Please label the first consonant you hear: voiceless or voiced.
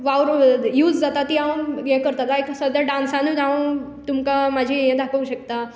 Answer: voiced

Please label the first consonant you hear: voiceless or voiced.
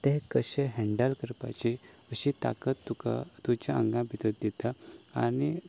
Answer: voiceless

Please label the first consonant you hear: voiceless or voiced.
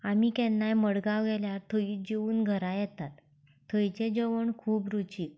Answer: voiced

